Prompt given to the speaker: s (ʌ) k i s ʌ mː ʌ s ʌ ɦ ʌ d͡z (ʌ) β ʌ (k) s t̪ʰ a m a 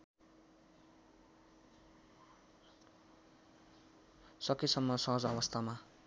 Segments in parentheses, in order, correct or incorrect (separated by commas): correct, correct, incorrect